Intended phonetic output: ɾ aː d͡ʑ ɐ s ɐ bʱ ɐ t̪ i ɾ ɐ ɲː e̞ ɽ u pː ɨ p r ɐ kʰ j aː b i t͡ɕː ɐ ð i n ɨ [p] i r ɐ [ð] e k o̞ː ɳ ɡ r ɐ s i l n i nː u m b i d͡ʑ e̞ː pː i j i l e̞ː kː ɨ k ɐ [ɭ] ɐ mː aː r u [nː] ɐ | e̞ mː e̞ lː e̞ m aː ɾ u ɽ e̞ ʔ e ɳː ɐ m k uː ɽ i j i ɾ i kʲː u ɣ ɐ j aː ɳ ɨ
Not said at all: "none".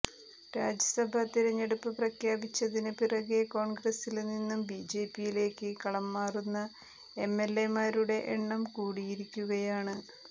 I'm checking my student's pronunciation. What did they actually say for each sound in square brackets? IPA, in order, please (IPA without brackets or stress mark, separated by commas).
p, ɣ, ɭ, nː